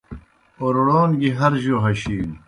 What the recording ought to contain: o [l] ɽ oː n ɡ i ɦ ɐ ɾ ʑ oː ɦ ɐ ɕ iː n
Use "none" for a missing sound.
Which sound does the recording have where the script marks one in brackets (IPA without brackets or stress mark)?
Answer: ɾ